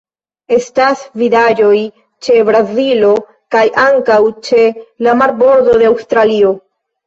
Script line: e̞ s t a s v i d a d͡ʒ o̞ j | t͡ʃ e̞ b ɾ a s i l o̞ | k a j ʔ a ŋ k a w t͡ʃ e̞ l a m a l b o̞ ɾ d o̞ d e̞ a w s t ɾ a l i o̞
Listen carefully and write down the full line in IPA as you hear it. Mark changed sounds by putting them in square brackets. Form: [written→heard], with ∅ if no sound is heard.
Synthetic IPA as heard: e̞ s t a s v i d a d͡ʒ o̞ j | t͡ʃ e̞ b ɾ a [s→z] i l o̞ | k a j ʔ a ŋ k a w t͡ʃ e̞ l a m a [l→ɾ] b o̞ ɾ d o̞ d e̞ a w s t ɾ a l i o̞